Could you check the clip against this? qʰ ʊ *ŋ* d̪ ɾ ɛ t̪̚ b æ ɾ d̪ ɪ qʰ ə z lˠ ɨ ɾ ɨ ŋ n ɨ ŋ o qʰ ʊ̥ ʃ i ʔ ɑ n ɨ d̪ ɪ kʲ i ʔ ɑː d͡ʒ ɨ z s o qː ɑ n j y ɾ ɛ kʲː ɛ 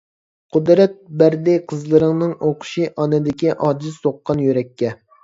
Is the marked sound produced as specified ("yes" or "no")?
no